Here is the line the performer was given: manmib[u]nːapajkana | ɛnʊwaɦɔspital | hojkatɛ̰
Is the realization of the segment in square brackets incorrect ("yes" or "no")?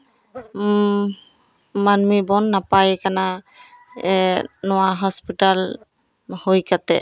yes